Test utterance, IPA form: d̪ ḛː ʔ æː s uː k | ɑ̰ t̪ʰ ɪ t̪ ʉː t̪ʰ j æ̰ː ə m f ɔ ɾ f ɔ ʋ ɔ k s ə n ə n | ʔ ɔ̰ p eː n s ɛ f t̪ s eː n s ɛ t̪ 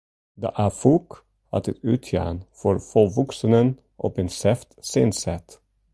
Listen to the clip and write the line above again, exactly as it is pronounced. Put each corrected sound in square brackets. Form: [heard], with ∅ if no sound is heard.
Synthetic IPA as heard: d̪ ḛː ʔ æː [f] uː k | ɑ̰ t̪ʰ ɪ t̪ ʉː t̪ʰ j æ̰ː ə [n] f ɔ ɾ f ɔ ʋ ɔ k s ə n ə n | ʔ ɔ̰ p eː n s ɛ f t̪ s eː n s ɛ t̪